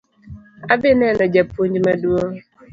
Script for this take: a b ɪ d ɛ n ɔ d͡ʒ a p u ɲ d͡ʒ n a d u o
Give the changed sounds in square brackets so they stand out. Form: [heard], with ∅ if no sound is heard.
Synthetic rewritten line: a b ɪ [n] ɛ n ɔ d͡ʒ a p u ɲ d͡ʒ [m] a d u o